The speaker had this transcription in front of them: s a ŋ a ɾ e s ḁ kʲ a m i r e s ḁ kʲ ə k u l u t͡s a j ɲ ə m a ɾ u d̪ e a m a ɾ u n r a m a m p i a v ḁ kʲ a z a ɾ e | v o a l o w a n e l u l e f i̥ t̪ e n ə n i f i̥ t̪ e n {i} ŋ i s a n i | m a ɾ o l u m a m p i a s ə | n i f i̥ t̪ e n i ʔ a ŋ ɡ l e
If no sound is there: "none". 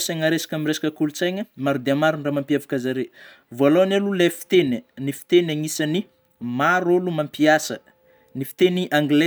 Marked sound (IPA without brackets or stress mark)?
a